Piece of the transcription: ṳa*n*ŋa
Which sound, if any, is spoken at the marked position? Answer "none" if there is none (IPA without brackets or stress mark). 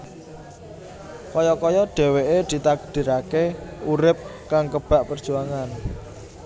none